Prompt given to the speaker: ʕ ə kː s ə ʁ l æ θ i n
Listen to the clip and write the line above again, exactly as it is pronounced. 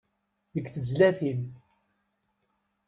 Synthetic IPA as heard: ð ə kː θ ə z l æ θ i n